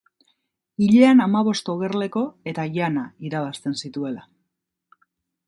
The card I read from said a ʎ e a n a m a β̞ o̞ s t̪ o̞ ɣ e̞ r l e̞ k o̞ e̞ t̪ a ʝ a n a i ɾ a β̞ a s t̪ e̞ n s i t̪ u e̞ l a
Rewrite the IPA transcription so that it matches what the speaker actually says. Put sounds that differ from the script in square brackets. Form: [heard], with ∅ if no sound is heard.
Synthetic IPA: [i] ʎ e a n a m a β̞ o̞ s t̪ o̞ ɣ e̞ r l e̞ k o̞ e̞ t̪ a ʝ a n a i ɾ a β̞ a s t̪ e̞ n s i t̪ u e̞ l a